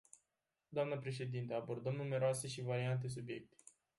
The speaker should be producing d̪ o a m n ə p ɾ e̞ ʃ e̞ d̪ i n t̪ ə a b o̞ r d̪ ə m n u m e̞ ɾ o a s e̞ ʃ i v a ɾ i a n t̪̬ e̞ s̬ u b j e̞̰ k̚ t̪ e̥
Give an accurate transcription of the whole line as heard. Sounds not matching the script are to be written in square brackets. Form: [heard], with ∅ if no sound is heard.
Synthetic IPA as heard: d̪ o a m n ə p ɾ e̞ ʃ e̞ d̪ i n t̪ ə a b o̞ r d̪ ə m n u m e̞ ɾ o a s e̞ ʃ i v a ɾ i a n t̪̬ e̞ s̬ u b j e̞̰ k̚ t̪ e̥